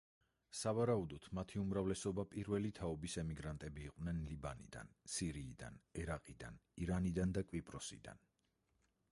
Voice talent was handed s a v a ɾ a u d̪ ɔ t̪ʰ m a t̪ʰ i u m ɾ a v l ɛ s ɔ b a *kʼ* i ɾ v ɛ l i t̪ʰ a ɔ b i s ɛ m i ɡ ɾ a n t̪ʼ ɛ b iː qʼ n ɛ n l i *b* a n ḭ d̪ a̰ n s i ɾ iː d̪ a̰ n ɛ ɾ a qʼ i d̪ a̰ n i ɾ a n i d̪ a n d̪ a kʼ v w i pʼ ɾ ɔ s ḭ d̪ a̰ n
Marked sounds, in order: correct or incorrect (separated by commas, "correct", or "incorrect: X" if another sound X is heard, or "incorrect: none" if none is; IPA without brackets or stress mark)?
incorrect: pʼ, correct